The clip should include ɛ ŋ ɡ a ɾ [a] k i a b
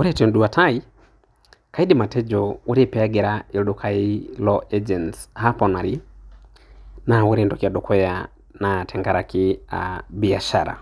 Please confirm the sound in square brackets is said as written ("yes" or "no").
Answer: yes